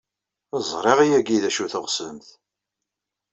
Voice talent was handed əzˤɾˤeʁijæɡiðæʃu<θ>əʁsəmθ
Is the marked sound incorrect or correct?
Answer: correct